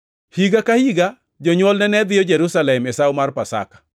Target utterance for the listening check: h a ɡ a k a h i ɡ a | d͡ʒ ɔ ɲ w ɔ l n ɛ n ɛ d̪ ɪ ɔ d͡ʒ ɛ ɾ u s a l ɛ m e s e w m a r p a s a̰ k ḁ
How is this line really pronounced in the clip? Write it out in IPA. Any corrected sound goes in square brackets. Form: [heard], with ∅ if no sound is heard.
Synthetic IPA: h [i] ɡ a k a h i ɡ a | d͡ʒ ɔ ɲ w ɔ l n ɛ n ɛ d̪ ɪ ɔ d͡ʒ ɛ ɾ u s a l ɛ m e s [a] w m a r p a s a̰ k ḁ